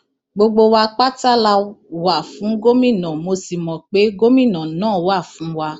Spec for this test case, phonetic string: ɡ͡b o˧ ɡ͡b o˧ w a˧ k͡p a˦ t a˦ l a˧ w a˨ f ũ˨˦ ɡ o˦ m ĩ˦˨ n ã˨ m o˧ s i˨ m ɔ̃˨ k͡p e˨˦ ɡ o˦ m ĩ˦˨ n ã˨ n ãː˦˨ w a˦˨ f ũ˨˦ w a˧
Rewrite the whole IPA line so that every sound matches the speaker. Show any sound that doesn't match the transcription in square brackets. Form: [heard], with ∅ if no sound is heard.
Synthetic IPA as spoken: ɡ͡b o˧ ɡ͡b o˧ w a˧ k͡p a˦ t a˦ l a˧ w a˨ f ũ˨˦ ɡ o˦ m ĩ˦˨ n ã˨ m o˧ s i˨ m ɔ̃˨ k͡p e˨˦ ɡ o˦ m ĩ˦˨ n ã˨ n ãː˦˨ w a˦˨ f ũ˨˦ w a˧